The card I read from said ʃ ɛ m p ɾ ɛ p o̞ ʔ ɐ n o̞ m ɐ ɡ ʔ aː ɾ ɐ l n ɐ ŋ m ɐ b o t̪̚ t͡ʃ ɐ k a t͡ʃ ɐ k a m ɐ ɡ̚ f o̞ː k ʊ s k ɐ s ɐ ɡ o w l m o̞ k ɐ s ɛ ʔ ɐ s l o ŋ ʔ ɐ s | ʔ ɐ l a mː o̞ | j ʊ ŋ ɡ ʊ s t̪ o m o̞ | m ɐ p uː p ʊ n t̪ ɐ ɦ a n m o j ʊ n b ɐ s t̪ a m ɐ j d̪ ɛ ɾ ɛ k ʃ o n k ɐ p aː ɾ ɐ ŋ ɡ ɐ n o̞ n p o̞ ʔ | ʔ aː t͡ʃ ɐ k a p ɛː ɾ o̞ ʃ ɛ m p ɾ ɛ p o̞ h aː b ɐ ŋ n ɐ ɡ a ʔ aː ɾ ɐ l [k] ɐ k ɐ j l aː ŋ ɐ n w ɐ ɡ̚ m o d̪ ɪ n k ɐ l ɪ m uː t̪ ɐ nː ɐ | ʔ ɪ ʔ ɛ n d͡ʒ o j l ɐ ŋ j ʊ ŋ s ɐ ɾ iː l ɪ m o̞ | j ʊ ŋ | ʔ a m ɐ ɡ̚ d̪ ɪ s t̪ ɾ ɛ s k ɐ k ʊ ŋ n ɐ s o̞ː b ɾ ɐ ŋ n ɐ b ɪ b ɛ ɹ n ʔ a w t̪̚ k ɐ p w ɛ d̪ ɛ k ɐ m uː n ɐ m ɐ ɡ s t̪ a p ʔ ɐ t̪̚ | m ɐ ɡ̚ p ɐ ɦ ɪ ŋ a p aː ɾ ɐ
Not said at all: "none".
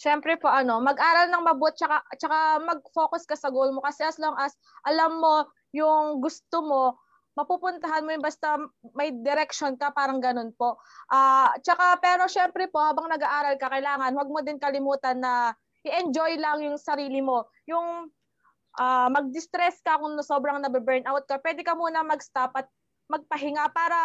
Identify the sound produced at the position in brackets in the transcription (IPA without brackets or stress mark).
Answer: k